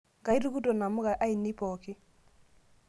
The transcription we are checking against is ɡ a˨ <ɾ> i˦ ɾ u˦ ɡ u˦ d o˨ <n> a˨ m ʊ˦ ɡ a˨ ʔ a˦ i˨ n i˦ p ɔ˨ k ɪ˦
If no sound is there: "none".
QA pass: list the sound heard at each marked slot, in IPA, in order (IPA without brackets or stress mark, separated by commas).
none, n